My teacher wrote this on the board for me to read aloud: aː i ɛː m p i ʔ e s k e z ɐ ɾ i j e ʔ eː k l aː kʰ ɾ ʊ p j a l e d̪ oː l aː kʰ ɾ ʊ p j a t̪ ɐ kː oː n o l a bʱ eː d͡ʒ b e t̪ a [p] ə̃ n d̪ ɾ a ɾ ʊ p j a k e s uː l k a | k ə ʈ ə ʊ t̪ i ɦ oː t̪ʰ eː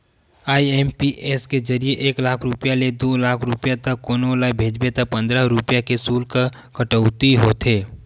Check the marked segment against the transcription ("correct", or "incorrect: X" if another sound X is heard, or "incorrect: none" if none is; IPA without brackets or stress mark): correct